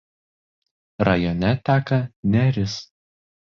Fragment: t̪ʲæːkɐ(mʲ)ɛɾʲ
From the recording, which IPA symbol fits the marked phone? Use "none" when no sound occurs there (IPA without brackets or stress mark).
nʲ